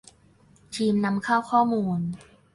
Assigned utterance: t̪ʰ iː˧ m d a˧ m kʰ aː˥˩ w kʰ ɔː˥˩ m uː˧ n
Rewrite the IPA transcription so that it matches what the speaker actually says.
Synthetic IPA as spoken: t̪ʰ iː˧ m n a˧ m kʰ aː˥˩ w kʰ ɔː˥˩ m uː˧ n